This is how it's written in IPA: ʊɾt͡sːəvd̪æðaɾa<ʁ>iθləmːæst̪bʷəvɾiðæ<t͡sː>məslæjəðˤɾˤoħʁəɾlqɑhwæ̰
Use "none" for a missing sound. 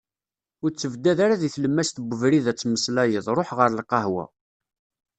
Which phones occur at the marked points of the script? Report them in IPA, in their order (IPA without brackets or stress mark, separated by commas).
ð, t͡sː